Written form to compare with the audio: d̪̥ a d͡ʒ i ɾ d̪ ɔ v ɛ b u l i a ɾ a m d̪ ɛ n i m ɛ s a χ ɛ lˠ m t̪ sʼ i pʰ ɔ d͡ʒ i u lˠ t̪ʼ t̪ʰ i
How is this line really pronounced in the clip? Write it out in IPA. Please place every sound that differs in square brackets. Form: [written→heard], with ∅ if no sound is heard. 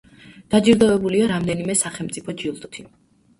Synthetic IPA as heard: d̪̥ a d͡ʒ i ɾ d̪ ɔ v ɛ b u l i a ɾ a m d̪ ɛ n i m ɛ s a χ ɛ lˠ m t̪ sʼ i pʰ ɔ d͡ʒ i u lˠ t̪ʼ t̪ʰ i